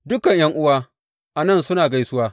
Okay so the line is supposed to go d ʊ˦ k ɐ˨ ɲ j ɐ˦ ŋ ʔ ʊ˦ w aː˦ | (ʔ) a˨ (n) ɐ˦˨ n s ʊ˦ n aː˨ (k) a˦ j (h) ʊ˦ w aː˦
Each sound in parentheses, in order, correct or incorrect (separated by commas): correct, correct, incorrect, incorrect